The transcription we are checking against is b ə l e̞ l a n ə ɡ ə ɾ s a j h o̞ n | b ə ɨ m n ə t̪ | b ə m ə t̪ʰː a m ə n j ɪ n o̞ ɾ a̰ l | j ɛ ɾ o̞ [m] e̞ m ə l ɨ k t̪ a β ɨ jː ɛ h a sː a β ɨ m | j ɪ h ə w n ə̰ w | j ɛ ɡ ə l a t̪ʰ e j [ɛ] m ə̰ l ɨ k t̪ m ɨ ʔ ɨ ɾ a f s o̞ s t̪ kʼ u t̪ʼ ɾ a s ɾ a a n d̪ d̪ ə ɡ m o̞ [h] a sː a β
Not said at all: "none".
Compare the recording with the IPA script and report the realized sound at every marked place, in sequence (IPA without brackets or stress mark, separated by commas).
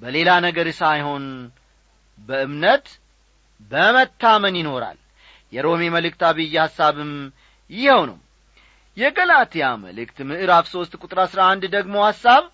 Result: m, a, h